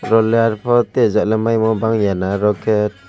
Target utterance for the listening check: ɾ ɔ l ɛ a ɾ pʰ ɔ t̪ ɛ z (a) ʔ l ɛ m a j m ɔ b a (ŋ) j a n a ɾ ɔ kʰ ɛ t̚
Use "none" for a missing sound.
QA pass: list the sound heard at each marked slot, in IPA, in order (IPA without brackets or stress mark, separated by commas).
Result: a, ŋ